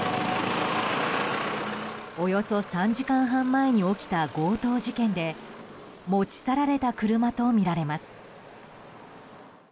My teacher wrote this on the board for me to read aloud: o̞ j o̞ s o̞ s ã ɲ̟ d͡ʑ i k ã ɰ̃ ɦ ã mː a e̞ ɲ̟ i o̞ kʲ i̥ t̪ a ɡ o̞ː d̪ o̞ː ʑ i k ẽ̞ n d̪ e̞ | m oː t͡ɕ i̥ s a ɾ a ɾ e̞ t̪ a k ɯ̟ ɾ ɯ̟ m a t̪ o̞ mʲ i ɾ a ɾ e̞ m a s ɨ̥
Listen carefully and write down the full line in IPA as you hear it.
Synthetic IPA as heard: o̞ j o̞ s o̞ s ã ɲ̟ d͡ʑ i k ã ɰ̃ ɦ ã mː a e̞ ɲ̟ i o̞ kʲ i̥ t̪ a ɡ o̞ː t̪ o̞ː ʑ i k ẽ̞ n d̪ e̞ | m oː t͡ɕ i̥ s a ɾ a ɾ e̞ t̪ a k ɯ̟ ɾ ɯ̟ m a t̪ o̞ mʲ i ɾ a ɾ e̞ m a s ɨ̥